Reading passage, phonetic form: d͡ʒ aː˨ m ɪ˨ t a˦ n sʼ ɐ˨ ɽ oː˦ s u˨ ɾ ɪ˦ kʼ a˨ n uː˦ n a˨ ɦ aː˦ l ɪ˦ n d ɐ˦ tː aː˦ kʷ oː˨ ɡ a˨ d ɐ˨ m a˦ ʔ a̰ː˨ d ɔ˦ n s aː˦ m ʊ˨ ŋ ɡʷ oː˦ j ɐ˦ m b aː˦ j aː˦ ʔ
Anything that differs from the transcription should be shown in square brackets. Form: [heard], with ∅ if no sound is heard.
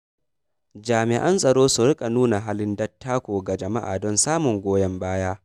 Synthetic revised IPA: d͡ʒ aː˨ m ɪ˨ [ʔ] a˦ n sʼ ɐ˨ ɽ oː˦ s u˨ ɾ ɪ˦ kʼ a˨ n uː˦ n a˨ ɦ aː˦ l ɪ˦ n d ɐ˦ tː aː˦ kʷ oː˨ ɡ a˨ [d͡ʒ] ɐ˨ m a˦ ʔ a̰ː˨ d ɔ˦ n s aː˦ m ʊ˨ ŋ ɡʷ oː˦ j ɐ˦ m b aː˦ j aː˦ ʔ